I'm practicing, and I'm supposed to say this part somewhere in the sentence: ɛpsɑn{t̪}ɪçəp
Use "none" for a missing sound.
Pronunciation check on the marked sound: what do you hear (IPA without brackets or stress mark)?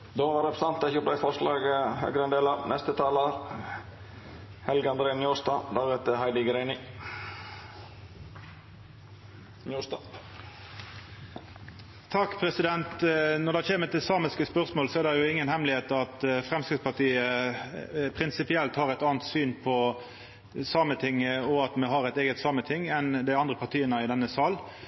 t̪